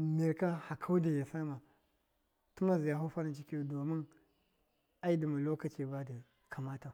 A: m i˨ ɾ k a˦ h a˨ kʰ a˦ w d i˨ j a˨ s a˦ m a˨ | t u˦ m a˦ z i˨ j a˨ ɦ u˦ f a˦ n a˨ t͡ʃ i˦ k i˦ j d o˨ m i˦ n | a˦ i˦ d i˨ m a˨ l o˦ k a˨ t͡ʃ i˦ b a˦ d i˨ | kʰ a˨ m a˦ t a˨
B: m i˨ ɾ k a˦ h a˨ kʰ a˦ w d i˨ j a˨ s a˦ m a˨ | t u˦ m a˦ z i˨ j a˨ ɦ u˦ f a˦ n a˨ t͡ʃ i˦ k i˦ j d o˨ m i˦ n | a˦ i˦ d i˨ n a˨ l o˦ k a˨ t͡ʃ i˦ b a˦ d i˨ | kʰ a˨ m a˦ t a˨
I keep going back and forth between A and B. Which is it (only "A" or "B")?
A